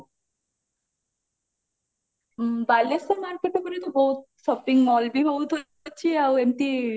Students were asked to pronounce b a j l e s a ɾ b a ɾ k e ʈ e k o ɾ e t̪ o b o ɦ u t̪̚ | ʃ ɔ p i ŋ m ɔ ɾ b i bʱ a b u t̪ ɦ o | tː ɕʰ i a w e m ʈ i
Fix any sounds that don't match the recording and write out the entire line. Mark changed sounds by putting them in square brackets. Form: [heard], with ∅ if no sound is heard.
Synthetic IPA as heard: b a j l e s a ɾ [m] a ɾ k e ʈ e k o ɾ e t̪ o b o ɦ u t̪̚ | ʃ ɔ p i ŋ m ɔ [l] b i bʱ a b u t̪ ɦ o | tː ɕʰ i a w e m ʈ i